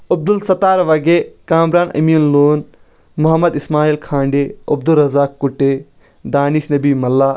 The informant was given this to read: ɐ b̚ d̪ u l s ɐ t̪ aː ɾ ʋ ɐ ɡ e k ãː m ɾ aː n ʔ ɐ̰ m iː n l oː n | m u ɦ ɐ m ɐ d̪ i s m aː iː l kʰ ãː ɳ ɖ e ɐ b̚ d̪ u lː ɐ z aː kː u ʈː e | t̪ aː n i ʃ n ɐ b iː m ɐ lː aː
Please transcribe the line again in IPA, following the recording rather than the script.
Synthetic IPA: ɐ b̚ d̪ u l s ɐ t̪ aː ɾ ʋ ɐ ɡ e k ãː m ɾ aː n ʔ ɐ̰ m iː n l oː n | m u ɦ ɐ m ɐ d̪ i s m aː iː l kʰ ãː ɳ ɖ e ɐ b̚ d̪ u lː ɐ z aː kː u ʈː e | d̪ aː n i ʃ n ɐ b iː m ɐ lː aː